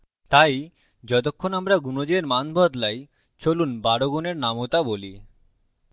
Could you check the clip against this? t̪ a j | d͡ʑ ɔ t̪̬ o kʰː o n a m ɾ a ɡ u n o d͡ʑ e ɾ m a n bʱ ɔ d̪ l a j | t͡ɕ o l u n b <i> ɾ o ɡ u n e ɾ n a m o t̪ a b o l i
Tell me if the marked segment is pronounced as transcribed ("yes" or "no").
no